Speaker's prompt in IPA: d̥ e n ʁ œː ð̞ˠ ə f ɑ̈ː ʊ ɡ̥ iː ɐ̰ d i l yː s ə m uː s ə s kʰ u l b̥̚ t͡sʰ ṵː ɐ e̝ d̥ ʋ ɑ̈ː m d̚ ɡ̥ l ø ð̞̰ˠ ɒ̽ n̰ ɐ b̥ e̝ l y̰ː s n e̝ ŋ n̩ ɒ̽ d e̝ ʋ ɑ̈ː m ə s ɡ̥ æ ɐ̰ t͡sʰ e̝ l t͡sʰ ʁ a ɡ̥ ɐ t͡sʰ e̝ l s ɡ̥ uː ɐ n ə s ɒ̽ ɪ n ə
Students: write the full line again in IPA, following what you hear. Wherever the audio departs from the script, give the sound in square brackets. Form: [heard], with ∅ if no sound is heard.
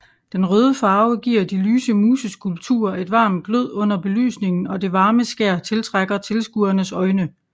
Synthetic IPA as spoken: d̥ e n ʁ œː ð̞ˠ ə f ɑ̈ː ʊ ɡ̥ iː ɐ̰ d i l yː s ə m uː s ə s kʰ u l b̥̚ t͡sʰ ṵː ɐ e̝ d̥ ʋ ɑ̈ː m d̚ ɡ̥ l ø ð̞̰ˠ [ɔ̽] n̰ ɐ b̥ e̝ l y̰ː s n e̝ ŋ n̩ ɒ̽ d e̝ ʋ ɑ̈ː m ə s ɡ̥ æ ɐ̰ t͡sʰ e̝ l t͡sʰ ʁ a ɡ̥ ɐ t͡sʰ e̝ l s ɡ̥ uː ɐ n ə s ɒ̽ ɪ n ə